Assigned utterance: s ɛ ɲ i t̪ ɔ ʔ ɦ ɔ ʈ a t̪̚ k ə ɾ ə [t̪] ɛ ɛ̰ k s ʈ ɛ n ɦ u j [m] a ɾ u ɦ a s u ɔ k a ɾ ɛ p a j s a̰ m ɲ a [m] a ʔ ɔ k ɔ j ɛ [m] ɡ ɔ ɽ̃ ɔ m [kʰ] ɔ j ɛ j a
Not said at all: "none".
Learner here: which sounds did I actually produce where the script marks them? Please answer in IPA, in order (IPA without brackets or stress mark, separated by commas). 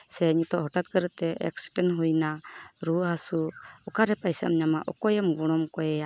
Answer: t̪, n, m, m, k